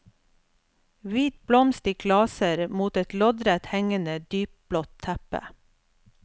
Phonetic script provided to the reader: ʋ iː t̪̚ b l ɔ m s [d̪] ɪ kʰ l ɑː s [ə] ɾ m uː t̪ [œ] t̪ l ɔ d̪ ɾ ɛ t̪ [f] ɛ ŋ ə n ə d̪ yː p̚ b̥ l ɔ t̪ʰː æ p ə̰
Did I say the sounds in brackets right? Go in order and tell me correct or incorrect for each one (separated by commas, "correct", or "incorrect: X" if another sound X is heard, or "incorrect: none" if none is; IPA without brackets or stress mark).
incorrect: t̪, correct, incorrect: ɛ, incorrect: h